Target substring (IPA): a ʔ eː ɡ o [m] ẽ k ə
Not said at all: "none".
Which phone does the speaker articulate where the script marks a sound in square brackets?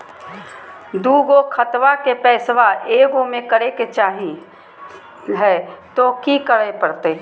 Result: m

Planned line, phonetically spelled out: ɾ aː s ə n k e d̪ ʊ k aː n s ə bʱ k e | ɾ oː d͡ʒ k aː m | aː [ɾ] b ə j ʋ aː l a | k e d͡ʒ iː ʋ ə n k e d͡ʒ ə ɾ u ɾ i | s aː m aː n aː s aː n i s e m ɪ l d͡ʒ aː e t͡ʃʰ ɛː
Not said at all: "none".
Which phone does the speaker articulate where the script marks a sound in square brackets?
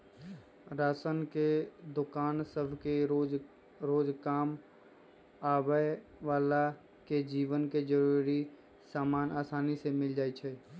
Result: none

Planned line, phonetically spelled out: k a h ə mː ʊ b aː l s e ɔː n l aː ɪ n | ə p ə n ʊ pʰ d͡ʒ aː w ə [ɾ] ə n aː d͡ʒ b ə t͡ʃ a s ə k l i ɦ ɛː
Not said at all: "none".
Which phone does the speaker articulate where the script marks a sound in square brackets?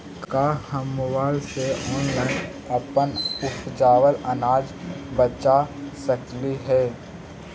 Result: l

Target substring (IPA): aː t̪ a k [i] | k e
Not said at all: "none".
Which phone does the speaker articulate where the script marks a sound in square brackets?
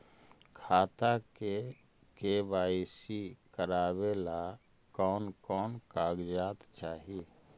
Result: e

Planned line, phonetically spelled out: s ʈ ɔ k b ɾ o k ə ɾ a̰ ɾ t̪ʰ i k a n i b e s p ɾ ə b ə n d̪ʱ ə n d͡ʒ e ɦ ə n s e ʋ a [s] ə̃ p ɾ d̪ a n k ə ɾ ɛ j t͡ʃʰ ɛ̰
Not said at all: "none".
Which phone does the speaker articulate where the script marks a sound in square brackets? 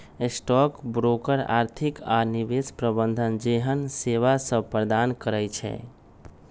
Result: s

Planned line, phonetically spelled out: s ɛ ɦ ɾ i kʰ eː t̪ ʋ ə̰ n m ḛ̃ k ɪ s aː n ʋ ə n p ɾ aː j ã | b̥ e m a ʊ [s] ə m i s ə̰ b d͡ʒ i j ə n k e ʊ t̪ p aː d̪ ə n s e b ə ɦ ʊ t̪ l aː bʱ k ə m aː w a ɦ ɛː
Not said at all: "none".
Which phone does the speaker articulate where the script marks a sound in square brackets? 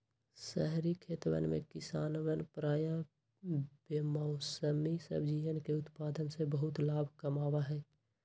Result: s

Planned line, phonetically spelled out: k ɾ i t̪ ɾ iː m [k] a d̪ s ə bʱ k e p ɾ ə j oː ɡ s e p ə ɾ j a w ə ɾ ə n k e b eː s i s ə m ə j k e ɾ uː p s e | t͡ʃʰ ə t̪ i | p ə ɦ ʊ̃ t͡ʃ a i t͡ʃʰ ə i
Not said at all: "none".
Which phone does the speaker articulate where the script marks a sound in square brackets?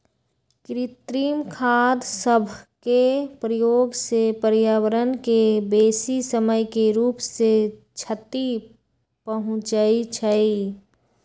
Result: kʰ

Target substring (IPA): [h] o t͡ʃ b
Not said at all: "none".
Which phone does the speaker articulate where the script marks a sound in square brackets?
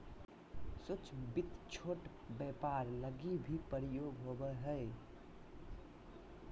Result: s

